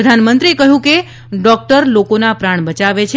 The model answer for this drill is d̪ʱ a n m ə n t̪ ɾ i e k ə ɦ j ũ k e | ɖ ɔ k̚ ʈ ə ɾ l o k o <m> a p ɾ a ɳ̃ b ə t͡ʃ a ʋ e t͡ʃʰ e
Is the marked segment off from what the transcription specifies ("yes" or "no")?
yes